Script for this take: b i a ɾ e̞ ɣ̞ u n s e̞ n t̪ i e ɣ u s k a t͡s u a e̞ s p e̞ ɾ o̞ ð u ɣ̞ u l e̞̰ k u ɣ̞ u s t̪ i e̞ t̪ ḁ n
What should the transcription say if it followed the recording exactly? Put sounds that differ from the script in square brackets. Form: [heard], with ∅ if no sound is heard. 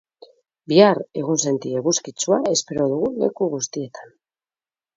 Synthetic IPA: b i a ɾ e̞ ɣ̞ u n s e̞ n t̪ i e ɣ u s k [i] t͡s u a e̞ s p e̞ ɾ o̞ ð u ɣ̞ u l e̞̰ k u ɣ̞ u s t̪ i e̞ t̪ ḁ n